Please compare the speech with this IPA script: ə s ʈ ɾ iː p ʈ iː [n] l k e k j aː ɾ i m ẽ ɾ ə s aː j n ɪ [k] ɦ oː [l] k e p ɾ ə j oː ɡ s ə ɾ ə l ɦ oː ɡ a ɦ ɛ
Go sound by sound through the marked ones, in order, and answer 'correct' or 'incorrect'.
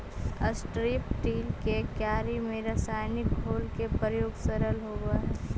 incorrect, correct, correct

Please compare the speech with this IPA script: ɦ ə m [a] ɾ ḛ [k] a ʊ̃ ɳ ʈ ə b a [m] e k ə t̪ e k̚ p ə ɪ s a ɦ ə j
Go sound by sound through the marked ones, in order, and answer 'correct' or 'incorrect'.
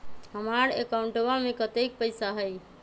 correct, correct, correct

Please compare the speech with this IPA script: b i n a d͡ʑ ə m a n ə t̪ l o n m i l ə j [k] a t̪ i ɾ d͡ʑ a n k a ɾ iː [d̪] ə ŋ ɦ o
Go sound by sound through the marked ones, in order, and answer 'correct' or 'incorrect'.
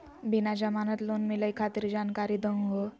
incorrect, correct

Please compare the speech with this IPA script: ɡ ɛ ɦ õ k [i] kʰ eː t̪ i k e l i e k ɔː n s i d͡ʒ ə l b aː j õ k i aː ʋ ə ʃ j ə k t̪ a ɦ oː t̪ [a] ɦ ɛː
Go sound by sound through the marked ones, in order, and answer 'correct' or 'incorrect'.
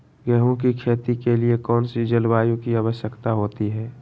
correct, incorrect

